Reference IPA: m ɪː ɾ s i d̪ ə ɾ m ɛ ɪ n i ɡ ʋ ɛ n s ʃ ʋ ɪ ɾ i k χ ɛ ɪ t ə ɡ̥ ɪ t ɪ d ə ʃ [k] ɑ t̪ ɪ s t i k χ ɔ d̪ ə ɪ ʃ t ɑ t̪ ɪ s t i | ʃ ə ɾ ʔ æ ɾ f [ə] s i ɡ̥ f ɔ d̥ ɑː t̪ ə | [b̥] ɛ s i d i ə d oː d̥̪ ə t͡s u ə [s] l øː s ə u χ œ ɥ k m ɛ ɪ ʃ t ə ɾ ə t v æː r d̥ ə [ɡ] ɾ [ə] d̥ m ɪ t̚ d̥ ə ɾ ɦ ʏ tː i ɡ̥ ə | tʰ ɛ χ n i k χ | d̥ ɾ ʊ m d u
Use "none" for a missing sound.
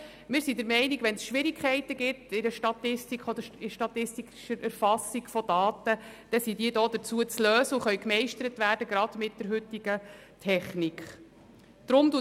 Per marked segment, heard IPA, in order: t, ɑ, d̥, t͡s, ɡ, ɑ

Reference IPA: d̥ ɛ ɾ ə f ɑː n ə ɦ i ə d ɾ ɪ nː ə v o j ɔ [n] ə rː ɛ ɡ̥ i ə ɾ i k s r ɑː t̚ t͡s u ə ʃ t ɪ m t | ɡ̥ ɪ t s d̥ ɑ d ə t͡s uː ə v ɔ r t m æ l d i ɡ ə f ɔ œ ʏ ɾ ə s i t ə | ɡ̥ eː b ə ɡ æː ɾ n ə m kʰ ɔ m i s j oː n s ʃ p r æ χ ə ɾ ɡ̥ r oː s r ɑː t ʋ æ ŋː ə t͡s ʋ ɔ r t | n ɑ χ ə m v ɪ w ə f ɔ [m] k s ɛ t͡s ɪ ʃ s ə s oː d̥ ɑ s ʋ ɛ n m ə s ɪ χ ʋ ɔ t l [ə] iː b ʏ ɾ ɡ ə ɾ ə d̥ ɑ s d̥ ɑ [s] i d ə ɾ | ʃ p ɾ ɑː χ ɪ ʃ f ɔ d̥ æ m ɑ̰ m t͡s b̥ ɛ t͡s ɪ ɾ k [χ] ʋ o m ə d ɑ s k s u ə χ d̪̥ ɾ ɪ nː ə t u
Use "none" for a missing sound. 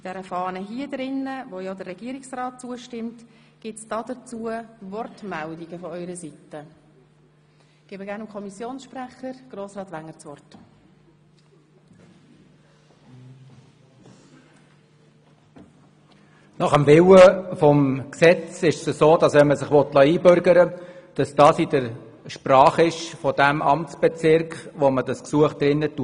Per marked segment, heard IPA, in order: d, m, ɑ, s, χ

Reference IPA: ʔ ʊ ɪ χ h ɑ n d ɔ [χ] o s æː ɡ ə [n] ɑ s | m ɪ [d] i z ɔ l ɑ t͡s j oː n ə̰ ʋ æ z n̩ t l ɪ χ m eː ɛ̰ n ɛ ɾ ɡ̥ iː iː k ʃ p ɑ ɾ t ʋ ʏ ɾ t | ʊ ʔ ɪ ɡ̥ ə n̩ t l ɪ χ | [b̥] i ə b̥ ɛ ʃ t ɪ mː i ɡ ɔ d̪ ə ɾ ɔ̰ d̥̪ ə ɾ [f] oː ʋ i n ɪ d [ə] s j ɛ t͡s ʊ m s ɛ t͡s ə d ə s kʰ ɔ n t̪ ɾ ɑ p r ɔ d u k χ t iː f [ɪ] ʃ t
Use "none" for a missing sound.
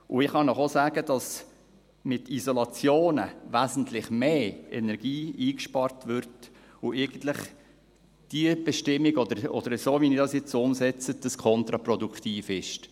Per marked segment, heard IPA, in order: χ, d, t, d̥, s, ɑ, ɪ

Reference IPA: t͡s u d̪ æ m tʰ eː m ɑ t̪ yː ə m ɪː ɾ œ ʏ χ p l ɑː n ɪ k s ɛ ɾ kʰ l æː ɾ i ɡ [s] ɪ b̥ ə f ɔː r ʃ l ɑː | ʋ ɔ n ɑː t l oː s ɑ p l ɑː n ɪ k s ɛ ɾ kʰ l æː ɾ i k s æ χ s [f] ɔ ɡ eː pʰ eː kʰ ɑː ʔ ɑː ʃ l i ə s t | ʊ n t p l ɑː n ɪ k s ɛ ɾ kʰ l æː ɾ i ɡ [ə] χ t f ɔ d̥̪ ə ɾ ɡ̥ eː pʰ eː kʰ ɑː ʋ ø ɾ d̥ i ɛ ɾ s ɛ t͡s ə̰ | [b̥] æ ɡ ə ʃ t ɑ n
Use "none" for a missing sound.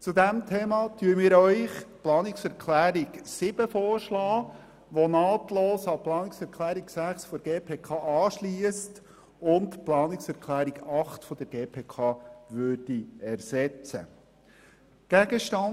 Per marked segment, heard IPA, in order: s, f, ɑ, ɡ̥

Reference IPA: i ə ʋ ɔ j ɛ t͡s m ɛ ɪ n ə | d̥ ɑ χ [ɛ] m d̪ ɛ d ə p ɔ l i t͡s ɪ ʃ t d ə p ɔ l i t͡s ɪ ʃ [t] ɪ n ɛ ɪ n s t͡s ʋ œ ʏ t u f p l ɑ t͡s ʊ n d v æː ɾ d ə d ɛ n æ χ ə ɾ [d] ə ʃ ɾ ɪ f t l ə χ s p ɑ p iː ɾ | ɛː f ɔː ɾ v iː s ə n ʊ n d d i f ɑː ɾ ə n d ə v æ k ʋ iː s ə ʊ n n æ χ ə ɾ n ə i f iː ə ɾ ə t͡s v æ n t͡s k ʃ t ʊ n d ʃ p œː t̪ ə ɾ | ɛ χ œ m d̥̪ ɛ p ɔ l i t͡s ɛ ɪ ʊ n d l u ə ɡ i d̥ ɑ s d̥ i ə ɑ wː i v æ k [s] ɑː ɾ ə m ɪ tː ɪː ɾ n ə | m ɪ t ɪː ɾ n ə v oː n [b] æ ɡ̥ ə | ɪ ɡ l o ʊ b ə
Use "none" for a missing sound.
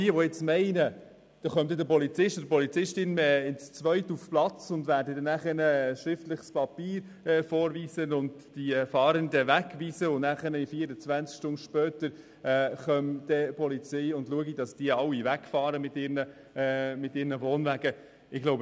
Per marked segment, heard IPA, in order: œ, t, n, f, v

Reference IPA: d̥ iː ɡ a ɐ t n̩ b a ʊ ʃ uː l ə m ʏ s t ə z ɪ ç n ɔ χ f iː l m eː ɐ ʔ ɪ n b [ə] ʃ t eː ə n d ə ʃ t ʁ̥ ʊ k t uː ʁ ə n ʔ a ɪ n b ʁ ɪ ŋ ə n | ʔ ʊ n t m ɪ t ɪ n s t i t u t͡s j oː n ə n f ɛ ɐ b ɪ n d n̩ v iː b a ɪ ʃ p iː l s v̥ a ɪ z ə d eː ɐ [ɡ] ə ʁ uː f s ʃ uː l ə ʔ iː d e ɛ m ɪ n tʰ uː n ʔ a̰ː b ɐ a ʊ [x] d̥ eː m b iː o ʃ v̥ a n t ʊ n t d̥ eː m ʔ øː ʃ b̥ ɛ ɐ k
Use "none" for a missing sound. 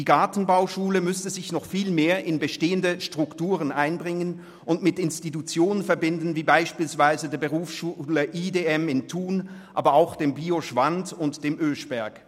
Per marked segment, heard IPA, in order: ə, b, x

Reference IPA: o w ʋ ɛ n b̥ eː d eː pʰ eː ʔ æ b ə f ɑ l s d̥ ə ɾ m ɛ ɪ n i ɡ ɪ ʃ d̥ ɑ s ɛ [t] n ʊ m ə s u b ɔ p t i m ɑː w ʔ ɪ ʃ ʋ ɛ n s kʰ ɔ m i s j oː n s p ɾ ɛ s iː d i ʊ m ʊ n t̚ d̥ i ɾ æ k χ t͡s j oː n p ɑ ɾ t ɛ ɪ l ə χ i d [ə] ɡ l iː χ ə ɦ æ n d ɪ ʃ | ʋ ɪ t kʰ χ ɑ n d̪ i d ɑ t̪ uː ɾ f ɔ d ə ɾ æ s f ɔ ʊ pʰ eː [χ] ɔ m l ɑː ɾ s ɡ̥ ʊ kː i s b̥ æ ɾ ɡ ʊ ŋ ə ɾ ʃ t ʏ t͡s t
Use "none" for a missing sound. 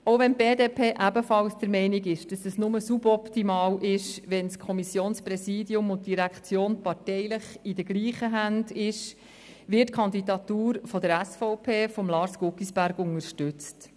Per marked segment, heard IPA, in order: s, ə, f

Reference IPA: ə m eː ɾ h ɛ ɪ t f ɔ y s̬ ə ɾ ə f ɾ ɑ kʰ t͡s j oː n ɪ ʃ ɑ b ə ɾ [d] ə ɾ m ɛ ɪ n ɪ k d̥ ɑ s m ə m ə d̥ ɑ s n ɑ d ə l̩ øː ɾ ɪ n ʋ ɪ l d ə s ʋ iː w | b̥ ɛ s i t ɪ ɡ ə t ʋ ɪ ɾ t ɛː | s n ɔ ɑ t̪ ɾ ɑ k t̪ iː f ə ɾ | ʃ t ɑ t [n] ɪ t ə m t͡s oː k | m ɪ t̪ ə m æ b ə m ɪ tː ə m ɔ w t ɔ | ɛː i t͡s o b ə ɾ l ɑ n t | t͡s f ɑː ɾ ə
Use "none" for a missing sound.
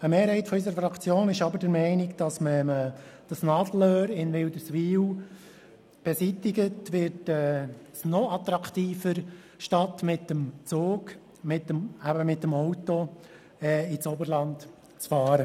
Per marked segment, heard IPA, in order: d, m

